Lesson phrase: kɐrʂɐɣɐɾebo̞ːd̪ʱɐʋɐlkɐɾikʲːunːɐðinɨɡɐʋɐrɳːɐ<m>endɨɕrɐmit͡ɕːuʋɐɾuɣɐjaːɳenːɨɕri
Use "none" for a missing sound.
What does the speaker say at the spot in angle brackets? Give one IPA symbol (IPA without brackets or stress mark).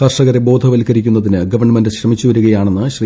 m